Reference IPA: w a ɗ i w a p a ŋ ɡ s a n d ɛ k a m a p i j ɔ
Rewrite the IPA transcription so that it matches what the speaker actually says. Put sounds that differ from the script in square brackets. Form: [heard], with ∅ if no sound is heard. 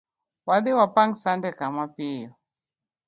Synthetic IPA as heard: w a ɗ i w a p a ŋ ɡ s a n d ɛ k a m a p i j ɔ

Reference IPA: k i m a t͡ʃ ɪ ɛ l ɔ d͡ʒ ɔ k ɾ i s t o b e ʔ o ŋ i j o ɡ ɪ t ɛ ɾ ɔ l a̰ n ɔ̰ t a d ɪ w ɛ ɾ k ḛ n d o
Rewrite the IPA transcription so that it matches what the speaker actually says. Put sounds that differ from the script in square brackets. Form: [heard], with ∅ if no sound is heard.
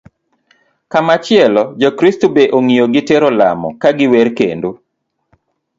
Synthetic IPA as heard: k [a] m a t͡ʃ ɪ ɛ l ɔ d͡ʒ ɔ k ɾ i s t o b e ʔ o ŋ i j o ɡ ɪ t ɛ ɾ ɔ l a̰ [m] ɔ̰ [k] a [ɡ] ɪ w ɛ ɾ k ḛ n d o

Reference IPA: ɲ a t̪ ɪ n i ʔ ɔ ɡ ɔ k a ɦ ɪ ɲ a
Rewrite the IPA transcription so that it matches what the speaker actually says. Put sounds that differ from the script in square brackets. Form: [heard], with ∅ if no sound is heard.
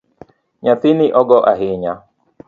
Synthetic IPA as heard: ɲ a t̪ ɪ n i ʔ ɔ ɡ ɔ [ʔ] a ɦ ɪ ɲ a

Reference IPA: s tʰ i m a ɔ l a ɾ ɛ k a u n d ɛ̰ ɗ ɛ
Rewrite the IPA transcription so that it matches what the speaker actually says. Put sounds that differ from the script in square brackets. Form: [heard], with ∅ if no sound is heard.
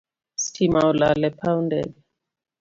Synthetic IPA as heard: s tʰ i m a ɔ l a [l] ɛ [p] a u n d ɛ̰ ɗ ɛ

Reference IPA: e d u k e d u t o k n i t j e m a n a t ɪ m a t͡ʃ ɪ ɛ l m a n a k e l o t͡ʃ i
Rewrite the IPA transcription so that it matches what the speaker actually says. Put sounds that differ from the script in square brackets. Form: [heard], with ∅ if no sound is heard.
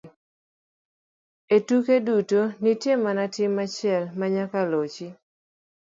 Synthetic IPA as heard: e [t] u k e d u t o [∅] n i t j e m a n a t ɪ m a t͡ʃ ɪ ɛ l m a [ɲ] a k [a] l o t͡ʃ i

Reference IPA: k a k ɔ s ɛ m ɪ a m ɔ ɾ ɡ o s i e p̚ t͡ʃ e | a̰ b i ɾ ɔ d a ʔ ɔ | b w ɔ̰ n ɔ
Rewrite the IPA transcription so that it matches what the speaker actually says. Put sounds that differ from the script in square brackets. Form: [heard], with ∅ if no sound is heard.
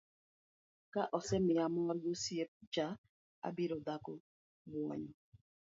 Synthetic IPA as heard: k a [ʔ] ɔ s ɛ m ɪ a m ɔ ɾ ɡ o s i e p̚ t͡ʃ [a] | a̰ b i ɾ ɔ d a [k] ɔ | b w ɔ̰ [ɲ] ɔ

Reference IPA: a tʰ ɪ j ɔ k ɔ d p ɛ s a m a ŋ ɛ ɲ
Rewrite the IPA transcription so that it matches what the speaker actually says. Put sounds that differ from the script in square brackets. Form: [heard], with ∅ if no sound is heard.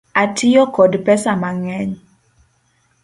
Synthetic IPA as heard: a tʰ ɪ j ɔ k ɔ d p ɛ s a m a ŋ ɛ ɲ

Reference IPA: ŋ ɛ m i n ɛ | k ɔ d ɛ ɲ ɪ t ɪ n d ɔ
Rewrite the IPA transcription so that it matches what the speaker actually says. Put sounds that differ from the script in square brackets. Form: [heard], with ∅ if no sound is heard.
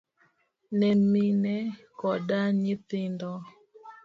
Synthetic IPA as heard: [n] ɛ m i n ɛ | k ɔ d [a] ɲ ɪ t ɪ n d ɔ

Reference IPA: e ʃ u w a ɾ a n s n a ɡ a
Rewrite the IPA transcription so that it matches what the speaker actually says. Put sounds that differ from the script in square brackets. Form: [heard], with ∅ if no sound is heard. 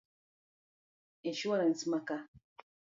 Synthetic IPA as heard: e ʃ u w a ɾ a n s [m] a [k] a

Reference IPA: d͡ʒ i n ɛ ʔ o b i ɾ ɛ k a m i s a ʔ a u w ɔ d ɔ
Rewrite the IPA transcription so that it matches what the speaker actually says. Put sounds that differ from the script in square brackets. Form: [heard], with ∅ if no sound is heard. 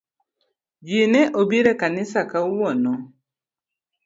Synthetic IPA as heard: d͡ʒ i n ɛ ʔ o b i ɾ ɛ k a [n] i s a [k] a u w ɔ [n] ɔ

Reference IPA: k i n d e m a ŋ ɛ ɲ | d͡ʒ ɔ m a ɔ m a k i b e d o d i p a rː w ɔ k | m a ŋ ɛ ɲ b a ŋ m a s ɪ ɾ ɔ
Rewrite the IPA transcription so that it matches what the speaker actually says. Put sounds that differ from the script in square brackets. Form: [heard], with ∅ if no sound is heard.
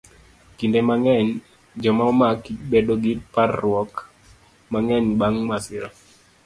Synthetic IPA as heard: k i n d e m a ŋ ɛ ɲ | d͡ʒ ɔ m a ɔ m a k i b e d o [ɡ] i p a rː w ɔ k | m a ŋ ɛ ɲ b a ŋ m a s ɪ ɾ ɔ

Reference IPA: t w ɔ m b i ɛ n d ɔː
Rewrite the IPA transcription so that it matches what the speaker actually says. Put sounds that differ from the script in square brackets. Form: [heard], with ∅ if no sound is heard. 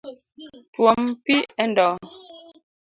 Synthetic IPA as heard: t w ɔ m [p] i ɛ n d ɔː

